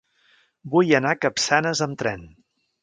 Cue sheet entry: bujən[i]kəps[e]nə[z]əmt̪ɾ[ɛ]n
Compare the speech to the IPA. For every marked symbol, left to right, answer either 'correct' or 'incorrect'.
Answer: incorrect, incorrect, correct, correct

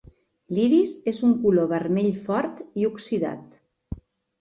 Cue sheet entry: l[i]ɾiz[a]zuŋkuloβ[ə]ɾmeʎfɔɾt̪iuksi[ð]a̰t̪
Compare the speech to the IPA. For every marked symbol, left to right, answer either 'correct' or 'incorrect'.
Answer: correct, incorrect, correct, correct

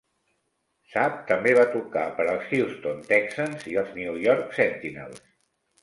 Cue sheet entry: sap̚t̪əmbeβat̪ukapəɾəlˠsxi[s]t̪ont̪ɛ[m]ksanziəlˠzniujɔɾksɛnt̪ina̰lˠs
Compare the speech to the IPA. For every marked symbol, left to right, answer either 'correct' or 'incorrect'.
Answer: correct, incorrect

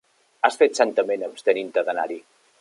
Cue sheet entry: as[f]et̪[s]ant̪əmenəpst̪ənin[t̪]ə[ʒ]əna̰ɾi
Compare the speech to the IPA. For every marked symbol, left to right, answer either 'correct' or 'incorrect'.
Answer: correct, correct, correct, incorrect

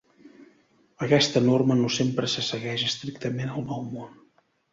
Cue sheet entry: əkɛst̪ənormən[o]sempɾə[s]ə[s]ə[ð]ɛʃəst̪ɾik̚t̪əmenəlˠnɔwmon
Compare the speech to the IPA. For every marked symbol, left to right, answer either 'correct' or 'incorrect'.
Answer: correct, correct, correct, incorrect

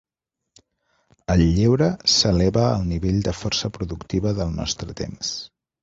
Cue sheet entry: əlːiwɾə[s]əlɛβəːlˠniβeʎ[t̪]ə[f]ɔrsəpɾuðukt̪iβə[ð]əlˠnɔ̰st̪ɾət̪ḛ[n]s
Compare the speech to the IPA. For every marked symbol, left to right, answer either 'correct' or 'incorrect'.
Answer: correct, incorrect, correct, correct, incorrect

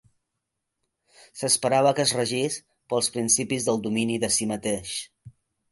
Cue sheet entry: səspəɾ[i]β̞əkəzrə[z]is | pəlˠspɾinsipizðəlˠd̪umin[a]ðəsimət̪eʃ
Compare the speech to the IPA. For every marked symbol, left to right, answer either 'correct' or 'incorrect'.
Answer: incorrect, incorrect, incorrect

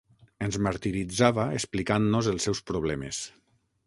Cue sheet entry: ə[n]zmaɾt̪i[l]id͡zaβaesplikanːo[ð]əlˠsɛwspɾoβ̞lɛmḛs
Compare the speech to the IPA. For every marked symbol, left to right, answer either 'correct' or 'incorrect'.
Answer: correct, incorrect, incorrect

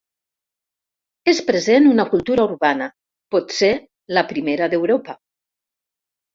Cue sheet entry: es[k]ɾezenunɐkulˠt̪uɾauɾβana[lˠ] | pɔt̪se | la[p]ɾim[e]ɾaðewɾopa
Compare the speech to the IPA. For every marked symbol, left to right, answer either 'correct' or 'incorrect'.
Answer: incorrect, incorrect, correct, correct

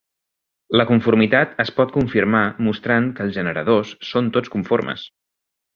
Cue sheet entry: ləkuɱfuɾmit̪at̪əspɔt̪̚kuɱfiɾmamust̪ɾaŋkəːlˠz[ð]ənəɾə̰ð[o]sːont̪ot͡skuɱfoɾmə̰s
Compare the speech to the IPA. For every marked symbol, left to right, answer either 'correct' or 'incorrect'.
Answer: incorrect, correct

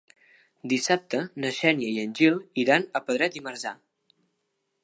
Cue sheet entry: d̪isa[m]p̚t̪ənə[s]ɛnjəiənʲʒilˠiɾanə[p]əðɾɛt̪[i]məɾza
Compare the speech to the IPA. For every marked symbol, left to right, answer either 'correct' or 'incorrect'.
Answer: incorrect, incorrect, correct, correct

